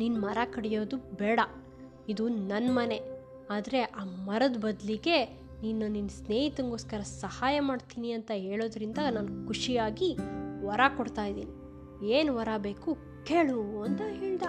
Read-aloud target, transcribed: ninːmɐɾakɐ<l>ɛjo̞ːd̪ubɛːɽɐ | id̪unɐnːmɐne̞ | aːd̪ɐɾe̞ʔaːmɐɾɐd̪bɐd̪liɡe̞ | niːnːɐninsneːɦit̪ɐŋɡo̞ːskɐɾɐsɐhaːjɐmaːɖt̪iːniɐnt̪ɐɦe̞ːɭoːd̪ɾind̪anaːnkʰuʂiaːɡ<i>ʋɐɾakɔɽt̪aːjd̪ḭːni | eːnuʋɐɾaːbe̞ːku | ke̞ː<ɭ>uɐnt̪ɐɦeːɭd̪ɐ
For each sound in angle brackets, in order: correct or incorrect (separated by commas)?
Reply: incorrect, correct, correct